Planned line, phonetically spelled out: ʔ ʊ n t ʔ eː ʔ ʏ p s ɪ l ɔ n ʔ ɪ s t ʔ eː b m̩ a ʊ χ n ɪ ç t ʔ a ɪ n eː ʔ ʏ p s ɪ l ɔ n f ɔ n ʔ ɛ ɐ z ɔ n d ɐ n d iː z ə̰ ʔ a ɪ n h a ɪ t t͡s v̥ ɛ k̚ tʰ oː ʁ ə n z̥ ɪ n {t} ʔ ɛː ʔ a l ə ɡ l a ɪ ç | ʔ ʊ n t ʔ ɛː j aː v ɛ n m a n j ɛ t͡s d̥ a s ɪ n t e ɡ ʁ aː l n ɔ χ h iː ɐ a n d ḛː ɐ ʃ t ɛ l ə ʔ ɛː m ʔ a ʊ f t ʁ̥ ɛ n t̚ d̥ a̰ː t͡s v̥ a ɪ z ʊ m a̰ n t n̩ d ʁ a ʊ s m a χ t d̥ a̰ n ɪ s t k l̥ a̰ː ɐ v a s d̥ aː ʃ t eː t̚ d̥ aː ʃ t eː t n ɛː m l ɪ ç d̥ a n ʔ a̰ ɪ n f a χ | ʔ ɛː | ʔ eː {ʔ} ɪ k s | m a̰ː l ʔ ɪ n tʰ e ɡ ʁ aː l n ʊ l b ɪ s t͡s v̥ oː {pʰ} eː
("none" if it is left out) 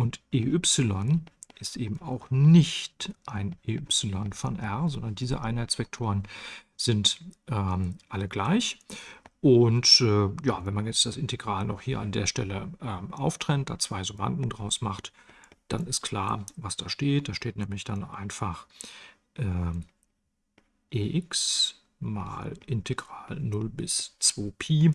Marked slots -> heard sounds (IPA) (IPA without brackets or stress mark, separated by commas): t, ʔ, pʰ